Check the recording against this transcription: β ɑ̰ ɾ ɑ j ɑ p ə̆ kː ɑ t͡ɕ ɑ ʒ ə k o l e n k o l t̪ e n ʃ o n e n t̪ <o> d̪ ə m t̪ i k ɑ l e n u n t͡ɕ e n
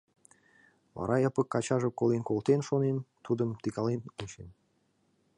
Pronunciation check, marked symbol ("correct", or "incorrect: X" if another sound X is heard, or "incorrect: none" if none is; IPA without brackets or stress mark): incorrect: u